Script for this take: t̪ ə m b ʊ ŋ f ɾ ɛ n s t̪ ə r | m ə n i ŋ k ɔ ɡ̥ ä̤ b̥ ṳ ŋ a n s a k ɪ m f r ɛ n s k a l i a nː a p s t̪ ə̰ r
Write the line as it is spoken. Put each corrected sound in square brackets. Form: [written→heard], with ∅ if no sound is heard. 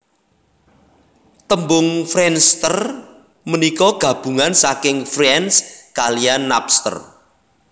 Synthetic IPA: t̪ ə m b ʊ ŋ f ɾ ɛ n s t̪ ə r | m ə n i [ŋ→∅] k ɔ ɡ̥ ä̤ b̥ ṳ ŋ a n s a k ɪ [m→ŋ] f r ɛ n s k a l i a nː a p s t̪ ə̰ r